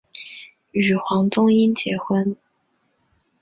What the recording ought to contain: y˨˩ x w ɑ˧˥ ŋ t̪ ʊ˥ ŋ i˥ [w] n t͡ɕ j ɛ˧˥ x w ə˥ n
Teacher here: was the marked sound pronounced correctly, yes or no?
no